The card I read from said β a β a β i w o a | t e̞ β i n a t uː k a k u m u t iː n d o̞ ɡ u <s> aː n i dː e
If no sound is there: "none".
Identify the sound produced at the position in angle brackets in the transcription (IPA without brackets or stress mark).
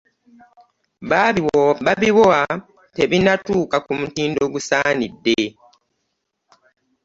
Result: s